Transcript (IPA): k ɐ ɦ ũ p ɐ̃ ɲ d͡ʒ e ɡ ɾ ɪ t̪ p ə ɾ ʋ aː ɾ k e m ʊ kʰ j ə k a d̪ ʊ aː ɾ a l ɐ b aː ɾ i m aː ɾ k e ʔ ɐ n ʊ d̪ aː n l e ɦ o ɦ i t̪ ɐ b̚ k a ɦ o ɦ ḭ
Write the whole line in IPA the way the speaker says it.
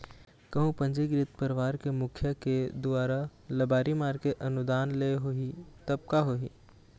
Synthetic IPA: k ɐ ɦ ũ p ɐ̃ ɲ d͡ʒ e ɡ ɾ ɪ t̪ p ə ɾ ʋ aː ɾ k e m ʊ kʰ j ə k e d̪ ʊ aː ɾ a l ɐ b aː ɾ i m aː ɾ k e ʔ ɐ n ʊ d̪ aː n l e ɦ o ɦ i t̪ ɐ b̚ k a ɦ o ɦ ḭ